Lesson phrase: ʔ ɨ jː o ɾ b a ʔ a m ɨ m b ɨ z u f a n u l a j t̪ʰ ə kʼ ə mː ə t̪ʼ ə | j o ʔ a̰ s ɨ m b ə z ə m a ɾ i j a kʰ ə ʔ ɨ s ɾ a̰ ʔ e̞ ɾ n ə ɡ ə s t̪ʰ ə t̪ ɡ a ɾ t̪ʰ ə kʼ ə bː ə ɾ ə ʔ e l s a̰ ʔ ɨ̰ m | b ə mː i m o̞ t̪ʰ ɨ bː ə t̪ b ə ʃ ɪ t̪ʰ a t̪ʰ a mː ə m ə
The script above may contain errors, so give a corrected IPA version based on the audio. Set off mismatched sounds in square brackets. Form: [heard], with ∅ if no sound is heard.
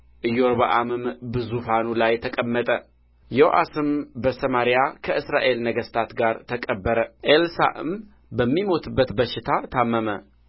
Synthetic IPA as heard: ʔ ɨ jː o ɾ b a ʔ a m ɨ m b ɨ z u f a n u l a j t̪ʰ ə kʼ ə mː ə t̪ʼ ə | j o ʔ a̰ s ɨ m b ə [s] ə m a ɾ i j a kʰ ə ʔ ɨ s ɾ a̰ ʔ e̞ [l] n ə ɡ ə s t̪ʰ [a] t̪ ɡ a ɾ t̪ʰ ə kʼ ə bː ə ɾ ə ʔ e l s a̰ ʔ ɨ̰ m | b ə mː i m o̞ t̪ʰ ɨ bː ə t̪ b ə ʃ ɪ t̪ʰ a t̪ʰ a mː ə m ə